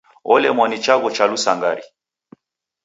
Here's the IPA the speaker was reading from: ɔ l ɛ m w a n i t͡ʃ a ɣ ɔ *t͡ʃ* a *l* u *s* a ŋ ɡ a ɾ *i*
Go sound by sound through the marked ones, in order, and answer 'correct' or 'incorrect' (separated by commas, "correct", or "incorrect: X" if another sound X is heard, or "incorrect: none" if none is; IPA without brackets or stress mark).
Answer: correct, correct, correct, correct